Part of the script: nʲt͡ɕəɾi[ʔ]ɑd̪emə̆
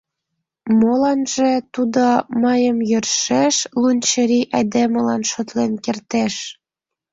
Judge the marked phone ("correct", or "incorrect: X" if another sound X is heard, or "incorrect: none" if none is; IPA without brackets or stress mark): correct